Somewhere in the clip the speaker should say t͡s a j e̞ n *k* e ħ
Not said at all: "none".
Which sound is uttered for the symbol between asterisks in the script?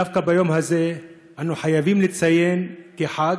k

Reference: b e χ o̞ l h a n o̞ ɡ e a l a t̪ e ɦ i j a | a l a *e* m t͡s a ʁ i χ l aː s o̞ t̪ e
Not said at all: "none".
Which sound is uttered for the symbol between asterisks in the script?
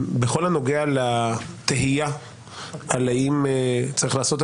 i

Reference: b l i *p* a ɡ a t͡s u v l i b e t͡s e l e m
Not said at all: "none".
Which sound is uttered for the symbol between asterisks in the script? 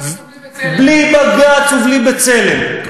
b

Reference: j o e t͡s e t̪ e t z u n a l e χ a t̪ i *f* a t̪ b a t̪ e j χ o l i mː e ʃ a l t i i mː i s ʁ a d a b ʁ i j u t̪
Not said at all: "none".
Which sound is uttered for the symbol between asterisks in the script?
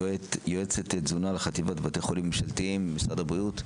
v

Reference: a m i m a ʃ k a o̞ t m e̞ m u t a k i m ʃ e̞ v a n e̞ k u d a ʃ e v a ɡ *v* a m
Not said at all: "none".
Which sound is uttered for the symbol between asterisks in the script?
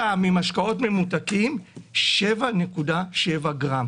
ʁ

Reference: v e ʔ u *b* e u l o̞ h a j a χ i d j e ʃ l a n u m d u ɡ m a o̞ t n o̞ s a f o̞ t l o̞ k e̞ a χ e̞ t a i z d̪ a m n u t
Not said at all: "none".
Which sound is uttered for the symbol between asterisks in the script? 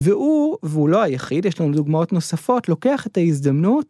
v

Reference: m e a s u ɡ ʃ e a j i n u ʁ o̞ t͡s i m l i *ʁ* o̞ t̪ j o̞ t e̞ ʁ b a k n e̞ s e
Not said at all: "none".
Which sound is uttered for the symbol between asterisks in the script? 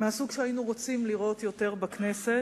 ʁ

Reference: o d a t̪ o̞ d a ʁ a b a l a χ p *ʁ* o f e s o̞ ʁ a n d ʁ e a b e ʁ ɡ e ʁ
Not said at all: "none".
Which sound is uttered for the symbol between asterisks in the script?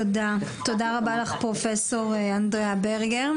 ʁ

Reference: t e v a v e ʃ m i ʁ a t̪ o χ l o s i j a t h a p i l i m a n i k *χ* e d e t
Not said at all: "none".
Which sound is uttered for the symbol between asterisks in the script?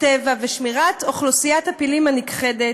χ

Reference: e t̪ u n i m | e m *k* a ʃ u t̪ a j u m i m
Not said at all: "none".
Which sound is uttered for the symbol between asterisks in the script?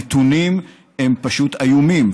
p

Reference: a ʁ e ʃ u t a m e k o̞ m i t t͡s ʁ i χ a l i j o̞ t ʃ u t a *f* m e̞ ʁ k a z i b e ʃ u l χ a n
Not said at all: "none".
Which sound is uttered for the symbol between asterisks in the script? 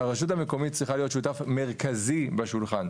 f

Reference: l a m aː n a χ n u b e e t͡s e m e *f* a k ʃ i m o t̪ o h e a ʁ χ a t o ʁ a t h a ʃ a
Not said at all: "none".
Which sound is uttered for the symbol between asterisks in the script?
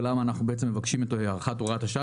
v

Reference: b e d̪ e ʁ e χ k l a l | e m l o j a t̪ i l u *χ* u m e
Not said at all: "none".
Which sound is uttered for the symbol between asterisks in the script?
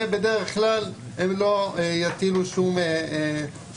ʃ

